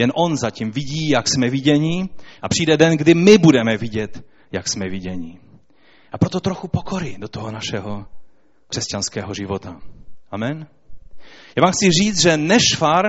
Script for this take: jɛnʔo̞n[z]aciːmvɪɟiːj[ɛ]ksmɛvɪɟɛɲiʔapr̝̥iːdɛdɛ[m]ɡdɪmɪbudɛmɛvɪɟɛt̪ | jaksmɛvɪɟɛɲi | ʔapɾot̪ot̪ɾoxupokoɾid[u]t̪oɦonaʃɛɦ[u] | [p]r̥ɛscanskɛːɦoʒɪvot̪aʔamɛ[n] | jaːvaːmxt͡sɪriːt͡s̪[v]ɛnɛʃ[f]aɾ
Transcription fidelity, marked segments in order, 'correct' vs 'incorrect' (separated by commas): correct, incorrect, incorrect, incorrect, incorrect, incorrect, correct, incorrect, correct